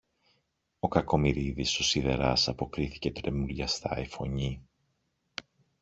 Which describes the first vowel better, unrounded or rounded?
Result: rounded